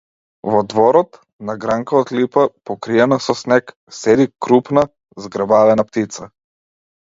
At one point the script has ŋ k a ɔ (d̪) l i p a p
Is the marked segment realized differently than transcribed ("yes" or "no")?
yes